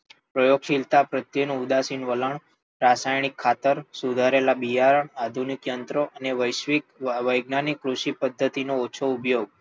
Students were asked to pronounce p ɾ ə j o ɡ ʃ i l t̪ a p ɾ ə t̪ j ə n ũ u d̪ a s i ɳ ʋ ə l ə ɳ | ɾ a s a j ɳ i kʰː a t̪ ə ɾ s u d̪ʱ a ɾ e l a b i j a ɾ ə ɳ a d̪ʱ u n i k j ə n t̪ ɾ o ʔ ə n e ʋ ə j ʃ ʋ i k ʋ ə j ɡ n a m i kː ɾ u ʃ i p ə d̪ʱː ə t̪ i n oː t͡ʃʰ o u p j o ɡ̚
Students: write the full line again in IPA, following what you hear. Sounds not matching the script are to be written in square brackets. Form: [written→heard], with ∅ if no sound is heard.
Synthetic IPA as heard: p ɾ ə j o ɡ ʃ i l t̪ a p ɾ ə t̪ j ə n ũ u d̪ a s i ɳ ʋ ə l ə ɳ | ɾ a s a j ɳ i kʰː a t̪ ə ɾ s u d̪ʱ a ɾ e l a b i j a ɾ ə ɳ a d̪ʱ u n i k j ə n t̪ ɾ o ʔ ə n e ʋ ə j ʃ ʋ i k ʋ ə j ɡ n a [m→n] i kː ɾ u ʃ i p ə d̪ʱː ə t̪ i n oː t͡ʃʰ o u p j o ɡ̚